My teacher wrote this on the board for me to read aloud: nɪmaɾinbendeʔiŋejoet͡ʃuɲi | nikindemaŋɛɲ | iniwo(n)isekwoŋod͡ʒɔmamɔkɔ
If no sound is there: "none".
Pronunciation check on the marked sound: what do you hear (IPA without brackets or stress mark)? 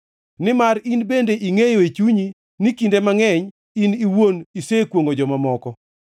n